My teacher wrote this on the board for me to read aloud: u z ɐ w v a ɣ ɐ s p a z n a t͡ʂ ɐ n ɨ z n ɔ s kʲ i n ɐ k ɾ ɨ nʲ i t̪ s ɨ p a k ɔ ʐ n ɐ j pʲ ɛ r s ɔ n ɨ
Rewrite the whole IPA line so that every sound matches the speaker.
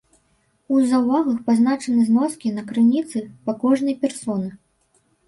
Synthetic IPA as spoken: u z ɐ w v a ɣ ɐ x p a z n a t͡ʂ ɐ n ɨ z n ɔ s kʲ i n ɐ k ɾ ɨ nʲ i t̪ s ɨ p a k ɔ ʐ n ɐ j pʲ ɛ r s ɔ n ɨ